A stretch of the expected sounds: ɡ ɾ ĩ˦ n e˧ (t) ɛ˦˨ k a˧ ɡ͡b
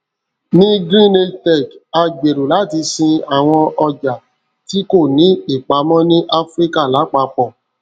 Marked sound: correct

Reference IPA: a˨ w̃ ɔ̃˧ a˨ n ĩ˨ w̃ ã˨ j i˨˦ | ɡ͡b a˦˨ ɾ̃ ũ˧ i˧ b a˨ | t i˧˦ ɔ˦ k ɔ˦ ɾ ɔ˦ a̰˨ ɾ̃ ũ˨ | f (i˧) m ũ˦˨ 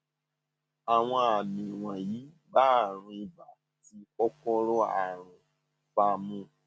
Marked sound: incorrect: a˧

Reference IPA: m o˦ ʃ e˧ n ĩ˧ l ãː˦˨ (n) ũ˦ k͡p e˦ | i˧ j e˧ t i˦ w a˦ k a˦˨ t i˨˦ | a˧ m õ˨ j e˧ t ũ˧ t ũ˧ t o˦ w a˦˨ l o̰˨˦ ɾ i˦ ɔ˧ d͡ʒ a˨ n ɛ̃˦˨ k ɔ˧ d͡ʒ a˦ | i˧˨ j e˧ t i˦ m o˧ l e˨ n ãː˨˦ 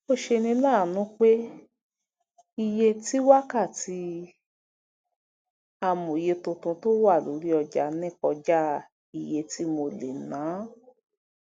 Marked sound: correct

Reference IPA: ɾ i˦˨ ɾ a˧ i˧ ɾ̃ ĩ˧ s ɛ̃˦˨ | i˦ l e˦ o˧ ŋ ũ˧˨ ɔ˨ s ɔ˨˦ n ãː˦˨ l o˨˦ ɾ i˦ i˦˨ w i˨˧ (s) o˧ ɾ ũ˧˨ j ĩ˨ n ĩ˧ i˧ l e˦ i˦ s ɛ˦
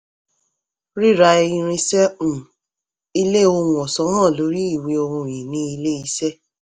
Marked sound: incorrect: none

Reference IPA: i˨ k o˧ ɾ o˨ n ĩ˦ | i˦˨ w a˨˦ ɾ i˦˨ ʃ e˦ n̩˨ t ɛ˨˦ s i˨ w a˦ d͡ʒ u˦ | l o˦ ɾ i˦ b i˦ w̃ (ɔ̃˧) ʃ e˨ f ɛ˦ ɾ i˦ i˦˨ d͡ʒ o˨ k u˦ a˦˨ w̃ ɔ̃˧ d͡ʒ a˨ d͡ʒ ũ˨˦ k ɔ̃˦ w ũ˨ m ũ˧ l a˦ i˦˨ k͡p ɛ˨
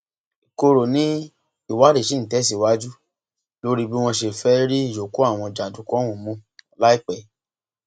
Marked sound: correct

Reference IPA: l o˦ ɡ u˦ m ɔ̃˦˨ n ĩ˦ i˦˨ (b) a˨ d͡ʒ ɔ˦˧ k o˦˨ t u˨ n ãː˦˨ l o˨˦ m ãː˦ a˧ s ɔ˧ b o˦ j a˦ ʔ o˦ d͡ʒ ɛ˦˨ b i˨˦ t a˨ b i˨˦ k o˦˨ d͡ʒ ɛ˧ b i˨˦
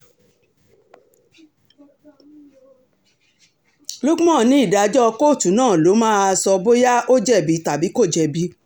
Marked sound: incorrect: d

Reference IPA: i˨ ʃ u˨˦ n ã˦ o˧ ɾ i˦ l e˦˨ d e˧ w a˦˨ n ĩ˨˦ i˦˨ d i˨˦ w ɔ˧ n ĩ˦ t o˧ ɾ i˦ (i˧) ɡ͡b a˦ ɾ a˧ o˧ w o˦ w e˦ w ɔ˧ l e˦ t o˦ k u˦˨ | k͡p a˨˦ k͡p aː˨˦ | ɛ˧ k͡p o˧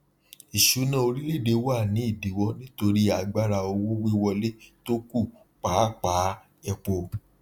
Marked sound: incorrect: a˧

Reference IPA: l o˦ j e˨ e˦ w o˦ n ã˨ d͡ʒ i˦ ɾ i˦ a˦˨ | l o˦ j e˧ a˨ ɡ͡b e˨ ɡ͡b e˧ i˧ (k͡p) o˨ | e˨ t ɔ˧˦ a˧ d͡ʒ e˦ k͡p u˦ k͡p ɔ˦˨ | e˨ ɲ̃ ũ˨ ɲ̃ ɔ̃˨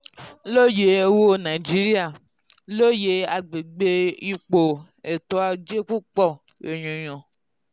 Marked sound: correct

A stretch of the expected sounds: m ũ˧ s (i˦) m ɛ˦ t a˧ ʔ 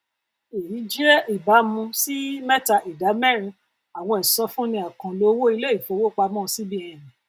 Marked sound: correct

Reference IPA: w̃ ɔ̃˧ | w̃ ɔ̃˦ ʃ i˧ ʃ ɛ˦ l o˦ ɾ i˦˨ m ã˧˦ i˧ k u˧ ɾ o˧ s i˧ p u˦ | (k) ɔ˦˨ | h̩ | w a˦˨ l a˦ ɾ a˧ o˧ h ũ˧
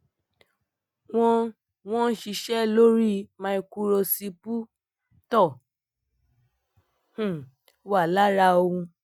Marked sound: incorrect: t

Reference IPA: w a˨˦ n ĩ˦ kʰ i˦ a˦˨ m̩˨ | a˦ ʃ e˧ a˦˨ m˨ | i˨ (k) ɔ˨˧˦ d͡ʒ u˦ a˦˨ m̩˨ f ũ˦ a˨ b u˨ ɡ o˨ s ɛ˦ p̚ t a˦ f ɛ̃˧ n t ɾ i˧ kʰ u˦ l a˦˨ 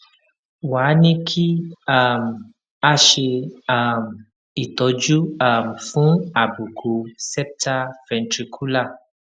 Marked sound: incorrect: t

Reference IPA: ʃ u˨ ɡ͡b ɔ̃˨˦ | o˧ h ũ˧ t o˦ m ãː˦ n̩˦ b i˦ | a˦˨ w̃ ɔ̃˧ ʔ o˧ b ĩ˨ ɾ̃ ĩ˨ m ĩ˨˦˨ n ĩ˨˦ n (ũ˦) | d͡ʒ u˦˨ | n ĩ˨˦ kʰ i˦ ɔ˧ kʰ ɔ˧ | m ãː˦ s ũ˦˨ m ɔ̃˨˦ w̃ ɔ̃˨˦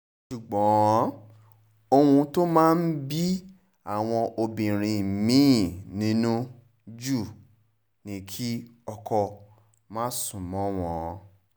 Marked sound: correct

